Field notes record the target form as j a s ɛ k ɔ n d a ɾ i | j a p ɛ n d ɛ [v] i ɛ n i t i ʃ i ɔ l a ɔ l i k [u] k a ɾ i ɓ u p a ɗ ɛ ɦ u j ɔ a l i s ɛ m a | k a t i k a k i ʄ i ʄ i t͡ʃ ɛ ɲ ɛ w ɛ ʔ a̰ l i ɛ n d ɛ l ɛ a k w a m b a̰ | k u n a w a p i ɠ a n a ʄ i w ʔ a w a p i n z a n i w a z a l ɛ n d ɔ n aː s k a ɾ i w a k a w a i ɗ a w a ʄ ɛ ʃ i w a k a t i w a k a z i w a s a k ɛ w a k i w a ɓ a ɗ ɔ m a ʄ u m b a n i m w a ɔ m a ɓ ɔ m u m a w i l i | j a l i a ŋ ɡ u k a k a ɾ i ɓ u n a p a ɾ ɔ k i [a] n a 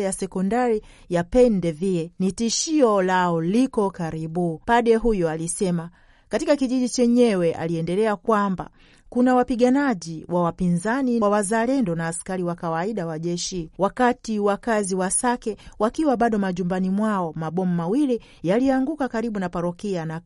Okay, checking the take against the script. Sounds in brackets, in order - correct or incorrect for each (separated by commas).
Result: correct, incorrect, correct